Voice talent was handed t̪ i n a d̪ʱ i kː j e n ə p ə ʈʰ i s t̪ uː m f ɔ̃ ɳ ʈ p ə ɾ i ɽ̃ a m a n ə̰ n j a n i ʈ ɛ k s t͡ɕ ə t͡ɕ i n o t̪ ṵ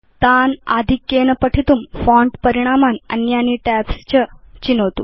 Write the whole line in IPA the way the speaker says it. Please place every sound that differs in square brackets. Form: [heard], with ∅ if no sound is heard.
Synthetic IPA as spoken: t̪ [a] n a d̪ʱ i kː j e n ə p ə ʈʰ i [∅] t̪ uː m f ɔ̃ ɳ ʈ p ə ɾ i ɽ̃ a m a n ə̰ n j a n i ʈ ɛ [p] s t͡ɕ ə t͡ɕ i n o t̪ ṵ

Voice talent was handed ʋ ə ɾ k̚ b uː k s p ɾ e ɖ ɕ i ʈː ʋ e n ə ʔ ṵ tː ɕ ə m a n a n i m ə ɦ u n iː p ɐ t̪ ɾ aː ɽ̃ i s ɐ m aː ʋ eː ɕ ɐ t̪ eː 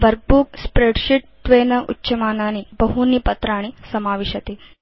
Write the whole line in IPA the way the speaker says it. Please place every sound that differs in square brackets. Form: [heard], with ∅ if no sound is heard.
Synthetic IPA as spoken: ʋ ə ɾ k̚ b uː k s p ɾ e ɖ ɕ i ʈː ʋ e n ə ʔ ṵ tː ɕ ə m a n a n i [b] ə ɦ u n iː p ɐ t̪ ɾ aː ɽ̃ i s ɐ m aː ʋ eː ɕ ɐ t̪ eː

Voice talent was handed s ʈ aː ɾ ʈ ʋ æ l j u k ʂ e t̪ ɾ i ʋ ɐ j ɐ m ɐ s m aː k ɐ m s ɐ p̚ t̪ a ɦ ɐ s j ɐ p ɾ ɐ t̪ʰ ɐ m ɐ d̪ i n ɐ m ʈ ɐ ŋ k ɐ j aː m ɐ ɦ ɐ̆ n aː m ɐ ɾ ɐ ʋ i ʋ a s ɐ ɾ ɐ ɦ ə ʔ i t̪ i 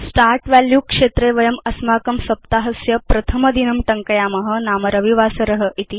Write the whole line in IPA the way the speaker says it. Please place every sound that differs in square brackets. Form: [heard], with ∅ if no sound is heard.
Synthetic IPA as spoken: s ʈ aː ɾ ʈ ʋ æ l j u k ʂ e t̪ ɾ [e] ʋ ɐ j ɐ m ɐ s m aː k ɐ m s ɐ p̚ t̪ a ɦ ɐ s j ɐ p ɾ ɐ t̪ʰ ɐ m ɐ d̪ i n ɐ m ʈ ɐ ŋ k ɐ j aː m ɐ ɦ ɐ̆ n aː m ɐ ɾ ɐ ʋ i ʋ a s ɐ ɾ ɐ ɦ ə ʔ i t̪ i

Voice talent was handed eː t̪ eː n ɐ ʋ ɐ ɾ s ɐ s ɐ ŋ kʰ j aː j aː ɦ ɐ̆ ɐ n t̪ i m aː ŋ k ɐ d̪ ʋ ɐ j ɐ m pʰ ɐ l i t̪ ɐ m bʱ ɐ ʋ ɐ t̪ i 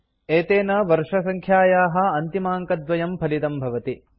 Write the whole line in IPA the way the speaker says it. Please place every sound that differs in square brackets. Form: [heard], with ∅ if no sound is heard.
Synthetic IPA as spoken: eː t̪ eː n ɐ ʋ ɐ ɾ [ʂ] ɐ s ɐ ŋ kʰ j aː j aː ɦ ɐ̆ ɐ n t̪ i m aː ŋ k ɐ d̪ ʋ ɐ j ɐ m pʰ ɐ l i t̪ ɐ m bʱ ɐ ʋ ɐ t̪ i

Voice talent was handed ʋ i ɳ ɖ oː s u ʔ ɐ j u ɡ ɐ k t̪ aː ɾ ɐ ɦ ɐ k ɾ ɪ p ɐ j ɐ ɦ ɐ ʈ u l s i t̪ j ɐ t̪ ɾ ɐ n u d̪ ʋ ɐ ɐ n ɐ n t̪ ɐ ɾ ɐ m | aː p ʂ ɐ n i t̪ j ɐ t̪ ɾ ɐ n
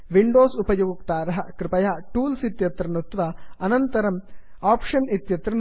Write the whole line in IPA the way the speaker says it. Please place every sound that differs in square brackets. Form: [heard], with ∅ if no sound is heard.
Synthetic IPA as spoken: ʋ i ɳ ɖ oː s u [p] ɐ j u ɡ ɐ k t̪ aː ɾ ɐ ɦ ɐ k ɾ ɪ p ɐ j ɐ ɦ ɐ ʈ [uː] l s i t̪ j ɐ t̪ ɾ ɐ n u [t̪] ʋ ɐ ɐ n ɐ n t̪ ɐ ɾ ɐ m | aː p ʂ ɐ n i t̪ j ɐ t̪ ɾ ɐ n

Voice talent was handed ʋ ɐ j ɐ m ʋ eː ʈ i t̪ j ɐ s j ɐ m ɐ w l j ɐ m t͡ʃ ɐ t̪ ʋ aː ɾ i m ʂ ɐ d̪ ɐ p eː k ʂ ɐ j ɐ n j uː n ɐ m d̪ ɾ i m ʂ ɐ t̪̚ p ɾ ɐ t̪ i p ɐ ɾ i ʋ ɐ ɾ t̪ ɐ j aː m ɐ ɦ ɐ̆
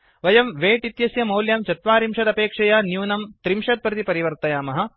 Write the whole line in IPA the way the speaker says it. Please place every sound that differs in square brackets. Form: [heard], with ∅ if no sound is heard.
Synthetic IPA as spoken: ʋ ɐ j ɐ m ʋ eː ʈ i t̪ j ɐ s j ɐ m ɐ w l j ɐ m t͡ʃ ɐ t̪ ʋ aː ɾ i m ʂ ɐ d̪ ɐ p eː k ʂ ɐ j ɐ n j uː n ɐ m [t̪] ɾ i m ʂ ɐ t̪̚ p ɾ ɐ t̪ i p ɐ ɾ i ʋ ɐ ɾ t̪ ɐ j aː m ɐ ɦ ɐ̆

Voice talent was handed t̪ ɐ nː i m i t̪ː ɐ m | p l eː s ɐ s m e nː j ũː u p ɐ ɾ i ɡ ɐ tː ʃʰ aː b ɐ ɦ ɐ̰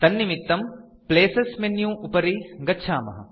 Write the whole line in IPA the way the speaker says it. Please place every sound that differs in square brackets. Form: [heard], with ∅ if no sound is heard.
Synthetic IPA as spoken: t̪ ɐ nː i m i t̪ː ɐ m | p l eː s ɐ s m e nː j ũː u p ɐ ɾ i ɡ ɐ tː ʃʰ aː [m] ɐ ɦ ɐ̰

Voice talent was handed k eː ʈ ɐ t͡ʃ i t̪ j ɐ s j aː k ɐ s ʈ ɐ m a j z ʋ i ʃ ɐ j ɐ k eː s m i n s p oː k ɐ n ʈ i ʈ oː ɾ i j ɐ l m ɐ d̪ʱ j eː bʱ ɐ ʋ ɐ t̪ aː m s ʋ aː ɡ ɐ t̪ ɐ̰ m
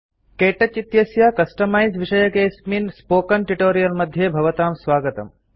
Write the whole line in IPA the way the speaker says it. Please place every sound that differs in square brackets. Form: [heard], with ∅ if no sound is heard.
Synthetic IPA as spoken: k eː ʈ ɐ t͡ʃ i t̪ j ɐ s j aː k ɐ s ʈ ɐ m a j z ʋ i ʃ ɐ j ɐ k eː s m i n s p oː k ɐ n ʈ i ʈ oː ɾ i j ɐ l m ɐ d̪ʱ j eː bʱ ɐ ʋ ɐ t̪ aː m s ʋ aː ɡ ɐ t̪ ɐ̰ m

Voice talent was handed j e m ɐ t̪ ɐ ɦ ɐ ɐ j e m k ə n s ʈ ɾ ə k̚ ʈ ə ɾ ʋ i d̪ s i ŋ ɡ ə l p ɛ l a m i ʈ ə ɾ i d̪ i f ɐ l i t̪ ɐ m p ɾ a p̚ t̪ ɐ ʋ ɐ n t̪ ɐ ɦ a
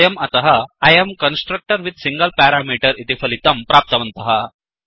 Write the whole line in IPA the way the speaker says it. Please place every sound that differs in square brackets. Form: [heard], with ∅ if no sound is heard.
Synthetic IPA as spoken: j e m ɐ t̪ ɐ ɦ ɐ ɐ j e m k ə n s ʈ ɾ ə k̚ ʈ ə ɾ ʋ i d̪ s i ŋ ɡ ə l p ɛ [ɾ] a m i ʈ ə ɾ i [t̪] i f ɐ l i t̪ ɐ m p ɾ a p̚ t̪ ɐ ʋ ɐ n t̪ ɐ ɦ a

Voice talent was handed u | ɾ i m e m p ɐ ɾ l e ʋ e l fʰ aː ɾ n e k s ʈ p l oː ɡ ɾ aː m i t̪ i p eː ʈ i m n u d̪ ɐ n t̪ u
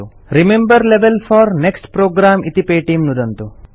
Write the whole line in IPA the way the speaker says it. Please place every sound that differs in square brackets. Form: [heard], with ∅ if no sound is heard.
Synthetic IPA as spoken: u | ɾ i m e m [b] ɐ ɾ l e ʋ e l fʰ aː ɾ n e k s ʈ p [ɾ] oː ɡ ɾ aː m i t̪ i p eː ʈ i m n u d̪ ɐ n t̪ u

